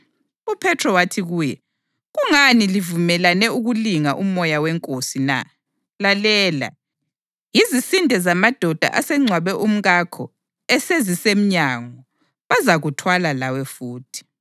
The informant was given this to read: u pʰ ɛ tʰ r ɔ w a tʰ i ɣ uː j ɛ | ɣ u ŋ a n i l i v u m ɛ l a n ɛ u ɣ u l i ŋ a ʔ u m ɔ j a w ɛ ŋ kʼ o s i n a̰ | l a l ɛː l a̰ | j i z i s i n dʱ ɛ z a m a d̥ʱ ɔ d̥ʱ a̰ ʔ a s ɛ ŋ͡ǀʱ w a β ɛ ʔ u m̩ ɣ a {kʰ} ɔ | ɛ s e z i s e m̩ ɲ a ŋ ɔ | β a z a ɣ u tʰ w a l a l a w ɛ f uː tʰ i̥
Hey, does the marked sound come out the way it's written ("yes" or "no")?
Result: yes